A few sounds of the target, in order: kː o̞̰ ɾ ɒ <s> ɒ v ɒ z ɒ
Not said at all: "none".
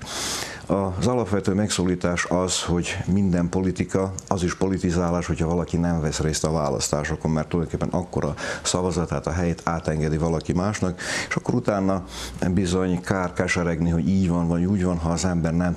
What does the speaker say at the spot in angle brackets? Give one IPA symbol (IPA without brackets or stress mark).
s